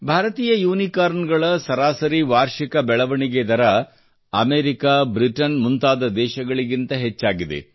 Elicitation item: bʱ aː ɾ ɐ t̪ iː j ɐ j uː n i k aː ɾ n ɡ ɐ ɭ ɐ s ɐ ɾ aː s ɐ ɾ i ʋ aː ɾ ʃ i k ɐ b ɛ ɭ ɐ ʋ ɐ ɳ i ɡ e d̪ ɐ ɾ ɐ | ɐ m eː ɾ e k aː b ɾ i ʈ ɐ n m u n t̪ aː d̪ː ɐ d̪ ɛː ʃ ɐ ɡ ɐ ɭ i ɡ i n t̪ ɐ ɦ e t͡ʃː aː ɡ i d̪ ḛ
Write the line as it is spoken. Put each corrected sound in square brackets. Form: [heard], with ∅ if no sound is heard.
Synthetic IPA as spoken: bʱ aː ɾ ɐ t̪ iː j ɐ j uː n i k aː ɾ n ɡ ɐ ɭ ɐ s ɐ ɾ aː s ɐ ɾ i ʋ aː ɾ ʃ i k ɐ b ɛ ɭ ɐ ʋ ɐ ɳ i ɡ e d̪ ɐ ɾ ɐ | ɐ m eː ɾ [i] k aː b ɾ i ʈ ɐ n m u n t̪ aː [d̪] ɐ d̪ ɛː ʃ ɐ ɡ ɐ ɭ i ɡ i n t̪ ɐ ɦ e t͡ʃː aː ɡ i d̪ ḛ